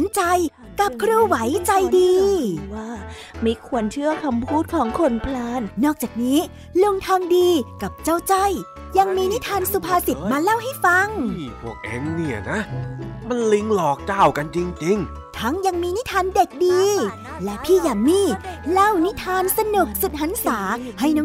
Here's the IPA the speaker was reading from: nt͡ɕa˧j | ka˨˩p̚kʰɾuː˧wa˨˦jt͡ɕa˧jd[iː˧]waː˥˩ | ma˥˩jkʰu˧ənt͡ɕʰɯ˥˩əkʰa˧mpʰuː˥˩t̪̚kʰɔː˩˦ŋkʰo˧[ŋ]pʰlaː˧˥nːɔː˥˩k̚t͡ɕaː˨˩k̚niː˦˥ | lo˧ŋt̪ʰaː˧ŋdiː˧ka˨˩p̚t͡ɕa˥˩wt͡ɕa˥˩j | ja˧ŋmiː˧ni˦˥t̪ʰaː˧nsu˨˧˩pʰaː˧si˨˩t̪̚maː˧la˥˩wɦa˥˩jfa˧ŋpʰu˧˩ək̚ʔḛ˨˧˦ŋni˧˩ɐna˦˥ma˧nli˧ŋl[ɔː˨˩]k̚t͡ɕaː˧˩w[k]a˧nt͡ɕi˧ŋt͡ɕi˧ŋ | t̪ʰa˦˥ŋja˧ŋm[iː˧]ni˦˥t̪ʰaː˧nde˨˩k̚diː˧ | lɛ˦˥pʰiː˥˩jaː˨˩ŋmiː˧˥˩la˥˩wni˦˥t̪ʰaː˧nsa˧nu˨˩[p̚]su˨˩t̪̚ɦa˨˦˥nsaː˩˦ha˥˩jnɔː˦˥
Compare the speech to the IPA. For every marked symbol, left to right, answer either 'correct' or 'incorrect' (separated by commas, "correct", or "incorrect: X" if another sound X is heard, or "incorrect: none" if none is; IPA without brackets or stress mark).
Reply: correct, incorrect: n, correct, correct, correct, incorrect: k̚